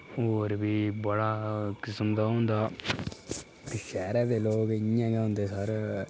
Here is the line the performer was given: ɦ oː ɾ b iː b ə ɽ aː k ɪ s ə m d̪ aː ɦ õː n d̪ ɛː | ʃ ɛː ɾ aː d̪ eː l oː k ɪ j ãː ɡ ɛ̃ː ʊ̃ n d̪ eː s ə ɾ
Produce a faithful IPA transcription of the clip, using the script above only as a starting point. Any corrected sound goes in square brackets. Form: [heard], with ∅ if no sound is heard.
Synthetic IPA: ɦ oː ɾ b iː b ə ɽ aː k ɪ s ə m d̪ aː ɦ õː n d̪ [aː] | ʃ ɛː ɾ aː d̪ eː l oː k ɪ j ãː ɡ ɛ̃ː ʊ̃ n d̪ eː s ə ɾ